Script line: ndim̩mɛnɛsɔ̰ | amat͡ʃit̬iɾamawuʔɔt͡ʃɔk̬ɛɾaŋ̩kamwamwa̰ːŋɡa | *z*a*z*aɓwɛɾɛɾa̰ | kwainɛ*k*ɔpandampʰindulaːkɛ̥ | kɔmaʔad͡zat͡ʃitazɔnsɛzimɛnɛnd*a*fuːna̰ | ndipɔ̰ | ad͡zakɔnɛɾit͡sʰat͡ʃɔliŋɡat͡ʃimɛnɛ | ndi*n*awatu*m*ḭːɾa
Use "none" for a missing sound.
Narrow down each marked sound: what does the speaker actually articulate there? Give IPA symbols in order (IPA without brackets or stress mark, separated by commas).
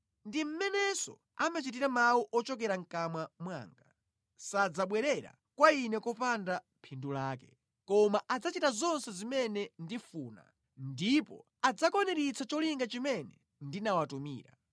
s, d͡z, k, i, n, m